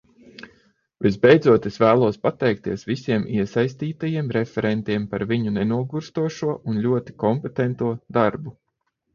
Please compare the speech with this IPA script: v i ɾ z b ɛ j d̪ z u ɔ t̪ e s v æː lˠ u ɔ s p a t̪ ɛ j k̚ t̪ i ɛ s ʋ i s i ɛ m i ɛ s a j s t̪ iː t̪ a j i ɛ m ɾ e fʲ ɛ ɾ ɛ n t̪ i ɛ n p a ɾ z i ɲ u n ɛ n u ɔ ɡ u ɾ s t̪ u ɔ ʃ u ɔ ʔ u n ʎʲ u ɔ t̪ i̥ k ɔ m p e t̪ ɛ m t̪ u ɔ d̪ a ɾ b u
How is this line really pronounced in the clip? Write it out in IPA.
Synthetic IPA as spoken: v i z b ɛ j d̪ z u ɔ t̪ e s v æː lˠ u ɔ s p a t̪ ɛ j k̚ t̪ i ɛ s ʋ i s i ɛ m i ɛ s a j s t̪ iː t̪ a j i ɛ m ɾ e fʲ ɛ ɾ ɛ n t̪ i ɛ m p a ɾ v i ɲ u n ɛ n u ɔ ɡ u ɾ s t̪ u ɔ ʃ u ɔ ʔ u n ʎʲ u ɔ t̪ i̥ k ɔ m p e t̪ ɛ n t̪ u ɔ d̪ a ɾ b u